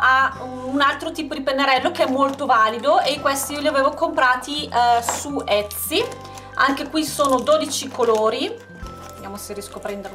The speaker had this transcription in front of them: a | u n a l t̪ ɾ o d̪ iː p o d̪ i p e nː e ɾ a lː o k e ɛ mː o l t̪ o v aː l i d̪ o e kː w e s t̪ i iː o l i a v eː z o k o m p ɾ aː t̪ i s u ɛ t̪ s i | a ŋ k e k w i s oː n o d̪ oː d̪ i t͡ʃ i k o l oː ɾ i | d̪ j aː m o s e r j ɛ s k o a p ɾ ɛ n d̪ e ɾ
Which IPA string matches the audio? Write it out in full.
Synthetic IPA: a | u n a l t̪ ɾ o t̪ iː p o d̪ i p e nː e ɾ ɛ lː o k e ɛ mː o l t̪ o v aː l i d̪ o e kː w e s t̪ i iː o l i a v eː v o k o m p ɾ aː t̪ i s u ɛ t̪ s i | a ŋ k e k w i s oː n o d̪ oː d̪ i t͡ʃ i k o l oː ɾ i | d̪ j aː m o s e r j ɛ s k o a p ɾ ɛ n d̪ e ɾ